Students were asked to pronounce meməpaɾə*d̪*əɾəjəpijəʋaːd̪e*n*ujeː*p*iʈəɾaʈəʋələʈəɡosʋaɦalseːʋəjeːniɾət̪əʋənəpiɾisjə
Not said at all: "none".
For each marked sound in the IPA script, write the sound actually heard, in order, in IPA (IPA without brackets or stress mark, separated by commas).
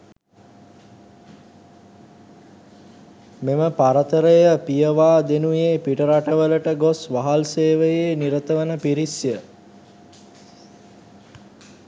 t̪, n, p